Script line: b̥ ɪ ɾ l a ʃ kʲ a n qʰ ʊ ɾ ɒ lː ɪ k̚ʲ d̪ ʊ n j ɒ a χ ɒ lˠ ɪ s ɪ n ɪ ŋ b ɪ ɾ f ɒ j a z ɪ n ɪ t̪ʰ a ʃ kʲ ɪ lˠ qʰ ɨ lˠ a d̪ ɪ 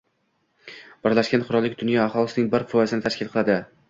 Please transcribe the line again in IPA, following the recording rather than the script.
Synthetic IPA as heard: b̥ ɪ ɾ l a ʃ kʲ a n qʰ ʊ ɾ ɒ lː ɪ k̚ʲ d̪ ʊ n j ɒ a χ ɒ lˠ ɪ s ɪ n ɪ ŋ b ɪ ɾ f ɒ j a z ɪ n ɪ t̪ʰ a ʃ kʲ ɪ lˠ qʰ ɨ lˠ a d̪ ɪ